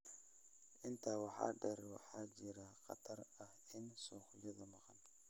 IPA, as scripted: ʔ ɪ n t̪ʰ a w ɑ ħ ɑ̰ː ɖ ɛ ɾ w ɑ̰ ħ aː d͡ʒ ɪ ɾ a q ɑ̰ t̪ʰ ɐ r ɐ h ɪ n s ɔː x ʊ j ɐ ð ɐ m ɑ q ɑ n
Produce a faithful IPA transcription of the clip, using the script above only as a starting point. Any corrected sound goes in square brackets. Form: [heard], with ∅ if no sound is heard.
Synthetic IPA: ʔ ɪ n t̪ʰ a w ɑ ħ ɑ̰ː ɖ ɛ ɾ w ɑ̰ ħ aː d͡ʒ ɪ ɾ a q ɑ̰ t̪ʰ ɐ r ɐ h ɪ n s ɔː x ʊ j ɐ ð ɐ m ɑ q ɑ n

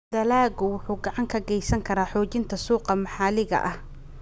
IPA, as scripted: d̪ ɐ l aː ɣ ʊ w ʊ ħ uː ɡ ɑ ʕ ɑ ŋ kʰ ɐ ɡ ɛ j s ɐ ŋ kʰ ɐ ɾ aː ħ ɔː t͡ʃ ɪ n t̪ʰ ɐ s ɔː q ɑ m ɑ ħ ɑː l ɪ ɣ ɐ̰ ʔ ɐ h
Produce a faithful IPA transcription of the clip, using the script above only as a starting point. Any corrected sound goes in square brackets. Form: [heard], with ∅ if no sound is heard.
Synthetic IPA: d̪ ɐ l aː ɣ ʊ w ʊ ħ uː ɡ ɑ ʕ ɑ ŋ kʰ ɐ ɡ ɛ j s ɐ ŋ kʰ ɐ ɾ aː ħ ɔː t͡ʃ ɪ n t̪ʰ ɐ s [uː] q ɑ m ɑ ħ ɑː l ɪ ɣ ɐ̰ ʔ ɐ h

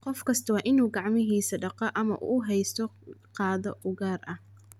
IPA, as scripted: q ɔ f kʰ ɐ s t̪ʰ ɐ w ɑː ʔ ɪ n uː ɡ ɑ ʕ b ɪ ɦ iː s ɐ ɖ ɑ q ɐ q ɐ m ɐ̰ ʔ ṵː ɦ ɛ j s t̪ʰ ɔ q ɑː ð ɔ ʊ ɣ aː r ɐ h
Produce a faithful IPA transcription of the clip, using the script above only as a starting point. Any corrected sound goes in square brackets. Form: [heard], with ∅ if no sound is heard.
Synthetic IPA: q ɔ f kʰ ɐ s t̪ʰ ɐ w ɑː ʔ ɪ n uː ɡ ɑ ʕ [m] ɪ ɦ iː s ɐ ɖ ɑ q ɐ [ʔ] ɐ m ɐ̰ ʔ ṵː ɦ ɛ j s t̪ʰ ɔ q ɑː ð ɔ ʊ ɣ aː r ɐ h

